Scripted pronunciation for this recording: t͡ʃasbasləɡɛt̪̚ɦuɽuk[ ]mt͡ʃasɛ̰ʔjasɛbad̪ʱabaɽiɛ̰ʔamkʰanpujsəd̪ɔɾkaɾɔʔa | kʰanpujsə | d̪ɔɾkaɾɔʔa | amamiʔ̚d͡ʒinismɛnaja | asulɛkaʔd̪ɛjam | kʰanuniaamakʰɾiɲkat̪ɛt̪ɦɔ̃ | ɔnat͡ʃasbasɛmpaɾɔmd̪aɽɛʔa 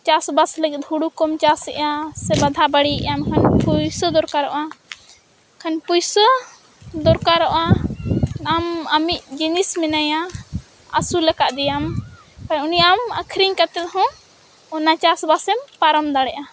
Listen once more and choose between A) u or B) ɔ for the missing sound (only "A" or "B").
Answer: B